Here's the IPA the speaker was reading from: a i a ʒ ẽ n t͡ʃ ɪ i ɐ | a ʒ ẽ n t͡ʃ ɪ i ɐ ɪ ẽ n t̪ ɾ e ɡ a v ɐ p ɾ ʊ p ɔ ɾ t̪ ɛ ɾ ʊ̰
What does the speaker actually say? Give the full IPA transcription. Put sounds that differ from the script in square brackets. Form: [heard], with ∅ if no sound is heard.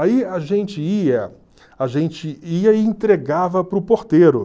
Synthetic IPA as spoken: a i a ʒ ẽ n t͡ʃ ɪ i ɐ | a ʒ ẽ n t͡ʃ ɪ i ɐ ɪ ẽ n t̪ ɾ e ɡ a v ɐ p ɾ ʊ p [o] ɾ t̪ [e] ɾ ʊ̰